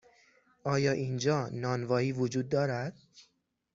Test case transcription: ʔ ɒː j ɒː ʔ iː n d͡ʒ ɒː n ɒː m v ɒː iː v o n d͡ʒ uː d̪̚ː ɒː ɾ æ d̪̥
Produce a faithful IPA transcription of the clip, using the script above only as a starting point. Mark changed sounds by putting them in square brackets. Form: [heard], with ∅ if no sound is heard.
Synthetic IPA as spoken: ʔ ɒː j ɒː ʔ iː n d͡ʒ ɒː n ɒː [n] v ɒː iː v o [∅] d͡ʒ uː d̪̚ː ɒː ɾ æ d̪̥